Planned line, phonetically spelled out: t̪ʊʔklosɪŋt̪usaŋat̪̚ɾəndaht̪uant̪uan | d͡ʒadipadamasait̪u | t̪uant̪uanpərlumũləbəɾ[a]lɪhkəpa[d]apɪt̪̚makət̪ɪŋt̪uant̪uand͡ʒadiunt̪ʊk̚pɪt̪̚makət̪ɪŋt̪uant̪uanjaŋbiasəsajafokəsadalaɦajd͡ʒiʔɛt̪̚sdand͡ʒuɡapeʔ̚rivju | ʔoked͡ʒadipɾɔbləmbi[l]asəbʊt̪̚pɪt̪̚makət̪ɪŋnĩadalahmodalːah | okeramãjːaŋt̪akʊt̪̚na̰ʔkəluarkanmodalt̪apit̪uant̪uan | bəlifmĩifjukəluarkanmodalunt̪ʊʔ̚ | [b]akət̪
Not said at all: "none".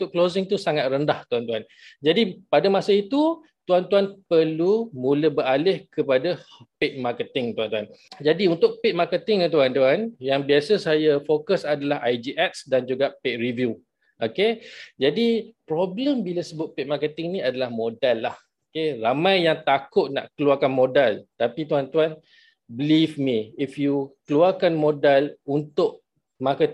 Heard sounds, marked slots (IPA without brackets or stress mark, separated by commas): a, d, l, m